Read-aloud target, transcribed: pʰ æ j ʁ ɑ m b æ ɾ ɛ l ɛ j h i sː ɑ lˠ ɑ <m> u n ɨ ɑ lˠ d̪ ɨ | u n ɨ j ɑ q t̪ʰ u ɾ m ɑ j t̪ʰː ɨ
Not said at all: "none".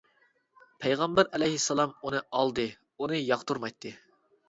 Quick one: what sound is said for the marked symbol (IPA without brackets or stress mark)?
m